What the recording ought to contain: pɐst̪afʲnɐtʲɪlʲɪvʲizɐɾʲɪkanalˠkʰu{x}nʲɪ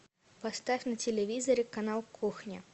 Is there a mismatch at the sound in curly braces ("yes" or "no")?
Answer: no